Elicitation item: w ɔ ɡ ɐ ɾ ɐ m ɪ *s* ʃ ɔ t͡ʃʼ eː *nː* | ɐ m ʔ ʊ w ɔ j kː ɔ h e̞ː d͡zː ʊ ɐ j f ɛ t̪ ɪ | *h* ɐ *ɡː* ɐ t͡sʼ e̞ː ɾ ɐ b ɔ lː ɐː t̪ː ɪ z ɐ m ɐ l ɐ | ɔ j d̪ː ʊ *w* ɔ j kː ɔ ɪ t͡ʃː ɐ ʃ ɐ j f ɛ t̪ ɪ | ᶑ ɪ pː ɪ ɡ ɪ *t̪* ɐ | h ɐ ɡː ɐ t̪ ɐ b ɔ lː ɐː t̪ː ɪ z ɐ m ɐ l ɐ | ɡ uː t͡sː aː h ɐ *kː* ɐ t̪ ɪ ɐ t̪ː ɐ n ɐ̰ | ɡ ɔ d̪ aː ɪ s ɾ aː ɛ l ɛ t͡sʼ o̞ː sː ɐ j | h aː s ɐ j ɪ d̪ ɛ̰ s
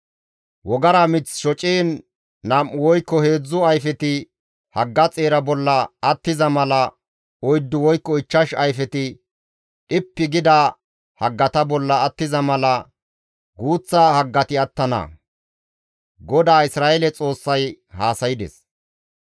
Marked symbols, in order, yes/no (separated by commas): no, yes, yes, yes, yes, no, no